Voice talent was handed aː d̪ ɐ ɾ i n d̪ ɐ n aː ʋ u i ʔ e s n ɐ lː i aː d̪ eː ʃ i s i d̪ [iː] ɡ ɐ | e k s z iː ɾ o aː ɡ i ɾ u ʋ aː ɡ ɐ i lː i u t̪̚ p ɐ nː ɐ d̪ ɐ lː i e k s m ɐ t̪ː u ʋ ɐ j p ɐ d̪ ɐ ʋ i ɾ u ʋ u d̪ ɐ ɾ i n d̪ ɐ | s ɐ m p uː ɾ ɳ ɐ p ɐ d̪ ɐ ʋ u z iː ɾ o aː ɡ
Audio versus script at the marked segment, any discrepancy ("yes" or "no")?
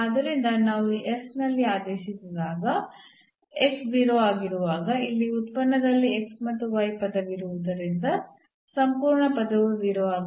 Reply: yes